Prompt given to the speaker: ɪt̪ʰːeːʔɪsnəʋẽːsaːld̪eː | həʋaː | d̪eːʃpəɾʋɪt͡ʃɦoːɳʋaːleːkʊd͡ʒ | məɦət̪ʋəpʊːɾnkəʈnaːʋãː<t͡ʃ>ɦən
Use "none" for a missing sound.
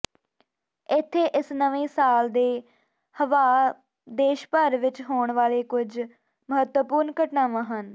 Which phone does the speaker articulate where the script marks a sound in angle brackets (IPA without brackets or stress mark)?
none